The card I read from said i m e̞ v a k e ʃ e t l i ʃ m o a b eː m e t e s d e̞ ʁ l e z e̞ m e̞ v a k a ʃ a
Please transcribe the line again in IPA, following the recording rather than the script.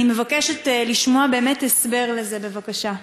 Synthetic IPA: i m e̞ v a k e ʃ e t l i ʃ m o a b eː m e t e s b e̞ ʁ l e z e̞ b e̞ v a k a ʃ a